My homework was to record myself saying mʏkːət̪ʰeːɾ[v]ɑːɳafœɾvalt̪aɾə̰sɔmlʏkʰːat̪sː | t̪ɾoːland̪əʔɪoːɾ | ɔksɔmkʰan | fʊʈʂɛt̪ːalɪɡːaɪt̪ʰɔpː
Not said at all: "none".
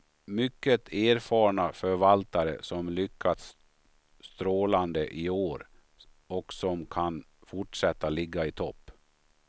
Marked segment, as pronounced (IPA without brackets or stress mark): f